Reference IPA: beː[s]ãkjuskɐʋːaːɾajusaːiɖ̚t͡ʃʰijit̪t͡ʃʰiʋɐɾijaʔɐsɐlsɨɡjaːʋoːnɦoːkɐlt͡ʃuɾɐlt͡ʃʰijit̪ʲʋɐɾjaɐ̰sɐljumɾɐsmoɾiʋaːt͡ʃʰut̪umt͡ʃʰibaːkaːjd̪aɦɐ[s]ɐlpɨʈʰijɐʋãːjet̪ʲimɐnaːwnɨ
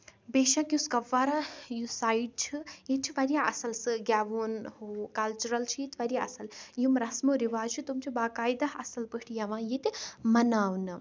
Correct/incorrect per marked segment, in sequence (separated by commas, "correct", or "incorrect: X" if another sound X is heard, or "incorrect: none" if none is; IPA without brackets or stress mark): incorrect: ʃ, correct